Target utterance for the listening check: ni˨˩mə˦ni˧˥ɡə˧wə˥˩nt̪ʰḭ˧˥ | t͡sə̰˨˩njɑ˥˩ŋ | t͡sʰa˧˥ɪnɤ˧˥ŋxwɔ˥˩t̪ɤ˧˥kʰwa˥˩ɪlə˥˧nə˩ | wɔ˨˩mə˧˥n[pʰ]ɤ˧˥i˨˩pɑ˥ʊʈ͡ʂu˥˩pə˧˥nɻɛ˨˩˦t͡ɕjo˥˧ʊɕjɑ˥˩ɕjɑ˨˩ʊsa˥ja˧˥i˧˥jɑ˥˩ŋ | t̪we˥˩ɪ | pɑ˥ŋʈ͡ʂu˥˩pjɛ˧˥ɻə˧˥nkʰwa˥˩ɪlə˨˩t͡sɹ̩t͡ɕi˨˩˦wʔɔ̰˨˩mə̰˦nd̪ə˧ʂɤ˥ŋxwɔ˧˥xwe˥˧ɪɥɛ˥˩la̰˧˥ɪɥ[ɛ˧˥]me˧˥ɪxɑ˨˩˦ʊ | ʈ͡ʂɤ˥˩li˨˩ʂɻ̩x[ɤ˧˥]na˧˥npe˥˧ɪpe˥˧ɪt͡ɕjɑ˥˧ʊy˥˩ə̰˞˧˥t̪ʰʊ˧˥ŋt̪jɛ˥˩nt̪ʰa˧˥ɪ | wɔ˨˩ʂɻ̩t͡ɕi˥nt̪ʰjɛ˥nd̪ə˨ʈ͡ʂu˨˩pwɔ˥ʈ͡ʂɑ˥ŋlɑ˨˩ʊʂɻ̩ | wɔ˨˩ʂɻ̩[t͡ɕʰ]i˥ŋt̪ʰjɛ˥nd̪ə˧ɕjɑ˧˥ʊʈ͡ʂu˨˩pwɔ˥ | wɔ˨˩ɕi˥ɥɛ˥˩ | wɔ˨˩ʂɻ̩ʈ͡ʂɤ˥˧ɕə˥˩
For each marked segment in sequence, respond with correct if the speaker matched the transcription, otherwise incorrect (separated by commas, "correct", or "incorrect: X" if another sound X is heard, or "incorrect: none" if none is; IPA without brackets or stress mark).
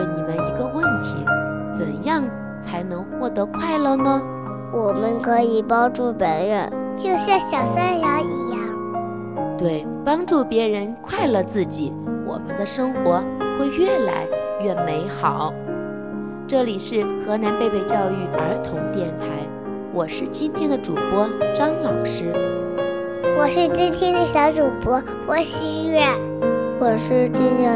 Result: incorrect: kʰ, incorrect: ɛ˥˩, correct, incorrect: t͡ɕ